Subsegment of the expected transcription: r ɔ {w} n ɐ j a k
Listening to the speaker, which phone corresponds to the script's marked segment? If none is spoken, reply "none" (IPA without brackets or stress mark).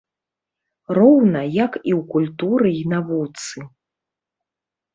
w